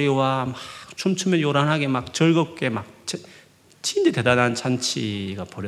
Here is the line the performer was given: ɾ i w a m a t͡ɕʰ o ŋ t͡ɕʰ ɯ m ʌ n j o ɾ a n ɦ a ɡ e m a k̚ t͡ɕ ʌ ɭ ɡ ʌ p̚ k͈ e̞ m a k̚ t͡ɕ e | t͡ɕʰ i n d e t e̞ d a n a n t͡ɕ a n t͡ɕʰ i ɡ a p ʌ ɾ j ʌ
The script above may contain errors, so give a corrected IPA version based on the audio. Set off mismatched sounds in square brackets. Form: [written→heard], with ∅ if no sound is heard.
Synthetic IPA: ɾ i w a m a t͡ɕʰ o [ŋ→m] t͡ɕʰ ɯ m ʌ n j o ɾ a n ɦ a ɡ e m a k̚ t͡ɕ ʌ ɭ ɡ ʌ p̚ k͈ e̞ m a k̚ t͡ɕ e | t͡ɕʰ i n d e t e̞ d a n a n t͡ɕ a n t͡ɕʰ i ɡ a p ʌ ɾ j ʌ